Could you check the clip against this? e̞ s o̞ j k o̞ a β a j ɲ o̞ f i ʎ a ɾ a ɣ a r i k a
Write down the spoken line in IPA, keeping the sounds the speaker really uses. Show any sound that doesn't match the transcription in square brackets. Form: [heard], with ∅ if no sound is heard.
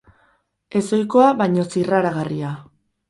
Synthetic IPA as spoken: e̞ s o̞ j k o̞ a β a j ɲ o̞ [s] i [r] a ɾ a ɣ a r i [∅] a

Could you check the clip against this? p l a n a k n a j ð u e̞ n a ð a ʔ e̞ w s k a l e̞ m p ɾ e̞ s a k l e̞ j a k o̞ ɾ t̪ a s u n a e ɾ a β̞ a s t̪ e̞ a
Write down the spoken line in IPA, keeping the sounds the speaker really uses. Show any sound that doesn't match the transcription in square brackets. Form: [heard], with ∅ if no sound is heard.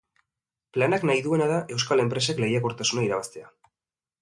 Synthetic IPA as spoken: p l a n a k n a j ð u e̞ n a ð a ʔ e̞ w s k a l e̞ m p ɾ e̞ s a k l e̞ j a k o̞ ɾ t̪ a s u n a [i] ɾ a β̞ a s t̪ e̞ a

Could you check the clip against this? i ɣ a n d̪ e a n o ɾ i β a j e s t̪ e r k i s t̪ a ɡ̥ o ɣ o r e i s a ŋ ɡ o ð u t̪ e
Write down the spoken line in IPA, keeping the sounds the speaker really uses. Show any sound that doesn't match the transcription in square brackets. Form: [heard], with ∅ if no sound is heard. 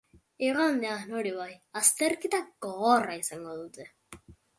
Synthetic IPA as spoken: i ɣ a n d̪ e a n o ɾ i β a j [a] s t̪ e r k i [∅] t̪ a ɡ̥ o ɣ o r [a] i s a ŋ ɡ o ð u t̪ e

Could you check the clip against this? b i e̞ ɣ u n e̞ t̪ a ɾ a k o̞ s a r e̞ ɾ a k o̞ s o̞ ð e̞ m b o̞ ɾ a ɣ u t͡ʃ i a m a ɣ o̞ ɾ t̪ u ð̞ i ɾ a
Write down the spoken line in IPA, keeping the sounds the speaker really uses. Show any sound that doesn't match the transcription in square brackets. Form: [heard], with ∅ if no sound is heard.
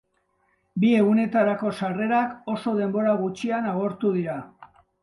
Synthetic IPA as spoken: b i e̞ ɣ u n e̞ t̪ a ɾ a k o̞ s a r e̞ ɾ a k o̞ s o̞ ð e̞ m b o̞ ɾ a ɣ u t͡ʃ i a [n] a ɣ o̞ ɾ t̪ u ð̞ i ɾ a

